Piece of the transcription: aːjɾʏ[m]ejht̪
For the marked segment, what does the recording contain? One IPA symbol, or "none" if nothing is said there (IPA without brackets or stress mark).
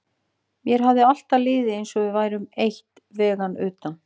m